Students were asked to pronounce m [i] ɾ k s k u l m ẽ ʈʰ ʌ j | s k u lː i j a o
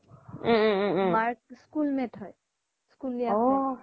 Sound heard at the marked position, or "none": a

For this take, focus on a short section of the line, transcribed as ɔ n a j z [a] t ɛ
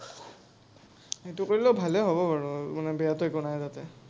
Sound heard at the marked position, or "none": a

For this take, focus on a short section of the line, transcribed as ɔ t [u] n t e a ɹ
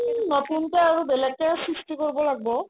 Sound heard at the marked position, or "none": u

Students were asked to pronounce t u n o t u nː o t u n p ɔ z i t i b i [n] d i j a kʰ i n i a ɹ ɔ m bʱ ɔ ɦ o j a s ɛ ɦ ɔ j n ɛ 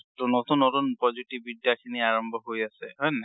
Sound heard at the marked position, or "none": none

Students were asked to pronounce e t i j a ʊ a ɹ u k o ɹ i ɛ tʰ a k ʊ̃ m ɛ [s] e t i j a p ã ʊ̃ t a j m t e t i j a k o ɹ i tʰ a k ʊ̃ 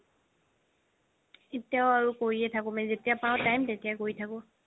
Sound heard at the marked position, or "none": z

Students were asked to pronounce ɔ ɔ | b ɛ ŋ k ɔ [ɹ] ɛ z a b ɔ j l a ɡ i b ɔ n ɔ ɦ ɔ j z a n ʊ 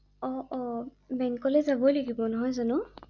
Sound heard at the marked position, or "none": l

